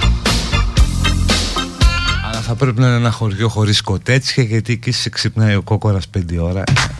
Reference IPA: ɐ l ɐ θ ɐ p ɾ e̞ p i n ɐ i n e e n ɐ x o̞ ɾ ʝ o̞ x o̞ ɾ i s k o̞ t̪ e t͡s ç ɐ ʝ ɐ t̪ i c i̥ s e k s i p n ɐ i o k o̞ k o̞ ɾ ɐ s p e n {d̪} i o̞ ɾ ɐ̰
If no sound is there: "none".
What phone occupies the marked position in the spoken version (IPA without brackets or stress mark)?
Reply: d̪